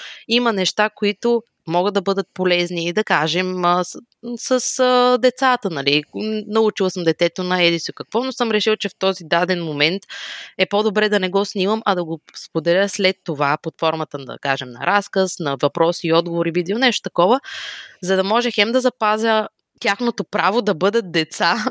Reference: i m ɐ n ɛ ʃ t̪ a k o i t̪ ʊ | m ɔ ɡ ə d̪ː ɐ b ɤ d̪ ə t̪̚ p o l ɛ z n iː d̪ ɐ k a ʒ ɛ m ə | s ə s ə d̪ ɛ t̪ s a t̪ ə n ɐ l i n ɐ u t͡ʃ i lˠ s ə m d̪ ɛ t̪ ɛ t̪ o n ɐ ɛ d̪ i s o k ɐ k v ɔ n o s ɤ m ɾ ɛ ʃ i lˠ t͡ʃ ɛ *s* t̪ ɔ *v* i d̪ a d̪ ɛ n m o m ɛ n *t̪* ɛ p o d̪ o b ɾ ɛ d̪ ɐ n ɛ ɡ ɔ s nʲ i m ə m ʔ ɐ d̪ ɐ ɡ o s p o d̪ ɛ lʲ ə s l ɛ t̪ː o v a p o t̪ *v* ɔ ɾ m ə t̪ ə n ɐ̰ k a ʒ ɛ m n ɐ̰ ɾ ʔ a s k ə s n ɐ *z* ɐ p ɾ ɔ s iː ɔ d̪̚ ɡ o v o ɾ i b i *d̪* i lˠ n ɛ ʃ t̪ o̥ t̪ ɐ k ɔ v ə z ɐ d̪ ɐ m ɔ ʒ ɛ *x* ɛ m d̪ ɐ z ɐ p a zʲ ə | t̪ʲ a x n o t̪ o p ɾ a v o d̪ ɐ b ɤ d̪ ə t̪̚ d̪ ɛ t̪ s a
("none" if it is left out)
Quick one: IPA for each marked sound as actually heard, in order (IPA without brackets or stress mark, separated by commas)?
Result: f, z, t̪, f, v, d̪, x